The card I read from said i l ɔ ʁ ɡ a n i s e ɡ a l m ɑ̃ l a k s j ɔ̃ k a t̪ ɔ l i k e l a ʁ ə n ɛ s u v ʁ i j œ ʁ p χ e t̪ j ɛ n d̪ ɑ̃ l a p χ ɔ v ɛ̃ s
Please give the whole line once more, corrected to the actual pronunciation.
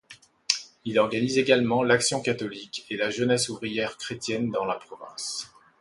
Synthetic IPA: i l ɔ ʁ ɡ a n i z e ɡ a l m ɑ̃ l a k s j ɔ̃ k a t̪ ɔ l i k e l a ʒ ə n ɛ s u v ʁ i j ɛ ʁ k χ e t̪ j ɛ n d̪ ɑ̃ l a p χ ɔ v ɛ̃ s